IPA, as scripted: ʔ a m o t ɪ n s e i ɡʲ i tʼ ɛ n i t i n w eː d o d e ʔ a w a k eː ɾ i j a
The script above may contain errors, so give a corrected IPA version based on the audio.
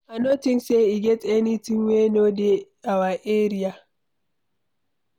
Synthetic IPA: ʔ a n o t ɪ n s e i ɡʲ ɛ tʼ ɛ n i t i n w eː n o d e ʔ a w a ʔ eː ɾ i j a